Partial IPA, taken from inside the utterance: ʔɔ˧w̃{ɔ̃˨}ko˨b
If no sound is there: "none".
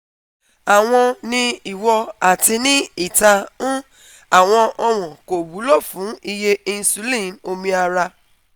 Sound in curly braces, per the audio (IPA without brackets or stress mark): ɔ̃˨